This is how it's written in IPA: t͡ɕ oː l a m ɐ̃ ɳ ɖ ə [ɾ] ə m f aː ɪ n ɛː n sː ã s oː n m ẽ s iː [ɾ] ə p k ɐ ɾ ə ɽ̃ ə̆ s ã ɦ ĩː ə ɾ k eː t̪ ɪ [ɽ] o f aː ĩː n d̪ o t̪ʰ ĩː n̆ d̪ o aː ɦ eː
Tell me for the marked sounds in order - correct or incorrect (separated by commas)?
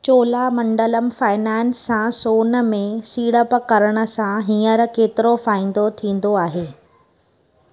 incorrect, incorrect, incorrect